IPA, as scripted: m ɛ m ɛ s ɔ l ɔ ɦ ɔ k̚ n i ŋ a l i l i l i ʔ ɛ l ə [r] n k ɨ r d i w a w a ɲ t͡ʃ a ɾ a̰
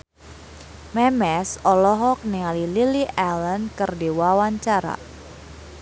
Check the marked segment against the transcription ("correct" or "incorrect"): incorrect